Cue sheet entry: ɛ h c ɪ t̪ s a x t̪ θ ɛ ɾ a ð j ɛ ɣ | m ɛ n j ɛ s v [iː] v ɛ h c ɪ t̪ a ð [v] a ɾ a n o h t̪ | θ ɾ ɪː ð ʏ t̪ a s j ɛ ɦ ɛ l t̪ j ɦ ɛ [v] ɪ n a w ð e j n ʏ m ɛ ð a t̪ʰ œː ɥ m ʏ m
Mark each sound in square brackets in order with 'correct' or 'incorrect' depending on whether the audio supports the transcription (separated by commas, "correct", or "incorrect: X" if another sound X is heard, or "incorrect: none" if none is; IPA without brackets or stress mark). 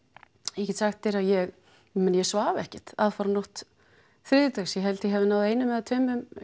incorrect: aː, incorrect: f, correct